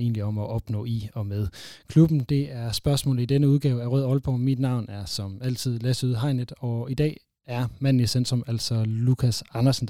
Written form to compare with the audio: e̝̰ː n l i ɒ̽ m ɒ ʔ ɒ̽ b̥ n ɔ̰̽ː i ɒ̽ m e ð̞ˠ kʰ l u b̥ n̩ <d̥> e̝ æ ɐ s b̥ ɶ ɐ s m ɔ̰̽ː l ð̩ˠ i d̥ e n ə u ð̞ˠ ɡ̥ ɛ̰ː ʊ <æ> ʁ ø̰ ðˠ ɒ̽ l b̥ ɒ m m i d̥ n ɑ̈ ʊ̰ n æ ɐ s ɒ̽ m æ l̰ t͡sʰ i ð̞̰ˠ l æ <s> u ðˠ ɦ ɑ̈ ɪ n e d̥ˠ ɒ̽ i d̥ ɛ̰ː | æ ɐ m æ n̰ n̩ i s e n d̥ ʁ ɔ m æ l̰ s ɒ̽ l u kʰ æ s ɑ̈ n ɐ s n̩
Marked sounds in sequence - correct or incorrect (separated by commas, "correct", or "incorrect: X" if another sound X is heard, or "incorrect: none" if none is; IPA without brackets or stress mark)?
correct, correct, correct